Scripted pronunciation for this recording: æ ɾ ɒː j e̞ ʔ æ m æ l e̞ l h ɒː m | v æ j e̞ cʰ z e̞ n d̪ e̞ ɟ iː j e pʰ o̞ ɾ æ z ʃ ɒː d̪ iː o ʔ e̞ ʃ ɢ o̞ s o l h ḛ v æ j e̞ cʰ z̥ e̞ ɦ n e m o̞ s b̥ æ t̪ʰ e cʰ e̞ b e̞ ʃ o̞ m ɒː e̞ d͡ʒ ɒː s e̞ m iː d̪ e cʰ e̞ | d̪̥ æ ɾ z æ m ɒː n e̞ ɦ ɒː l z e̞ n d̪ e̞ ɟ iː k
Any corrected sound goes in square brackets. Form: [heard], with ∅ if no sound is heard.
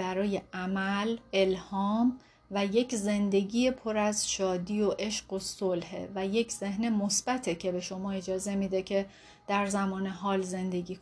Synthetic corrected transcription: æ ɾ ɒː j e̞ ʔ æ m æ l e̞ l h ɒː m | v æ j e̞ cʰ z e̞ n d̪ e̞ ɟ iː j e pʰ o̞ ɾ æ z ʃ ɒː d̪ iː o ʔ e̞ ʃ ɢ o̞ s o l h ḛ v æ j e̞ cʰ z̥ e̞ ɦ n e m o̞ s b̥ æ t̪ʰ e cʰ e̞ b e̞ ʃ o̞ m ɒː e̞ d͡ʒ ɒː [z] e̞ m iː d̪ e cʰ e̞ | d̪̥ æ ɾ z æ m ɒː n e̞ ɦ ɒː l z e̞ n d̪ e̞ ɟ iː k